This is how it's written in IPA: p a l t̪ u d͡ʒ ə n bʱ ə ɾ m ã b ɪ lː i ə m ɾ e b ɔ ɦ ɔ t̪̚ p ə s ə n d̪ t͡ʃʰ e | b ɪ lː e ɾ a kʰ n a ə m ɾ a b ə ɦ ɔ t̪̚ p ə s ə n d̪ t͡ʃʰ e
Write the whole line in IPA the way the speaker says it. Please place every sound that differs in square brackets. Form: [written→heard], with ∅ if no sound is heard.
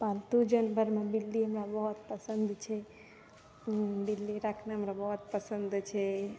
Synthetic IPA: p a l t̪ u d͡ʒ ə n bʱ ə ɾ m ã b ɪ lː i ə m ɾ [e→a] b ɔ ɦ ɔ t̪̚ p ə s ə n d̪ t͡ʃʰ e | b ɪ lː [e→i] ɾ a kʰ n a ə m ɾ a b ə ɦ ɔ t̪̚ p ə s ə n d̪ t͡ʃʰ e